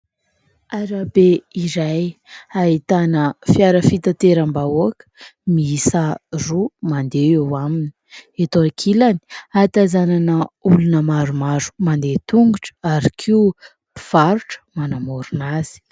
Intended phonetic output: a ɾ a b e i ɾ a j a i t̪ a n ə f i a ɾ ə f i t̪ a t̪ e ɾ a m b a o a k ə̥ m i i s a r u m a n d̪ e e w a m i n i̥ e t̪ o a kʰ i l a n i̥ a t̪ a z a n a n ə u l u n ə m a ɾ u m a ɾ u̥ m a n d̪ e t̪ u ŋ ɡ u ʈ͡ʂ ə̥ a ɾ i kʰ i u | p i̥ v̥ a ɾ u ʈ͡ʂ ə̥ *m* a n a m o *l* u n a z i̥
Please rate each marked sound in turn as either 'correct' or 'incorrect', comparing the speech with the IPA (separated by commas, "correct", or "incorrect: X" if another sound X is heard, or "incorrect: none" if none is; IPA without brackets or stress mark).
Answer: correct, incorrect: ɾ